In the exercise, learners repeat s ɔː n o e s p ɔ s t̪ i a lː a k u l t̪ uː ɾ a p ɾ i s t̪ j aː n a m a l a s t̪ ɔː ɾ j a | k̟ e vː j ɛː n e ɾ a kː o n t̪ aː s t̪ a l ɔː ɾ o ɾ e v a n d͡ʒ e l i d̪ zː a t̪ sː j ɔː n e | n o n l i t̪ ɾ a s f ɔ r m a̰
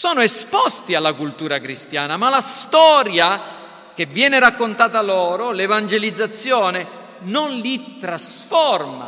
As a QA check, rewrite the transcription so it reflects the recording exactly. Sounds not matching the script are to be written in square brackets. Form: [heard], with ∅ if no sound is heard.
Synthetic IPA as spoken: s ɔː n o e s p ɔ s t̪ i a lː a k u l t̪ uː ɾ a [k] ɾ i s t̪ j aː n a m a l a s t̪ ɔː ɾ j a | k̟ e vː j ɛː n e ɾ a kː o n t̪ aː [∅] t̪ a l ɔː ɾ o [l] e v a n d͡ʒ e l i d̪ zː a t̪ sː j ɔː n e | n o n l i t̪ ɾ a s f ɔ r m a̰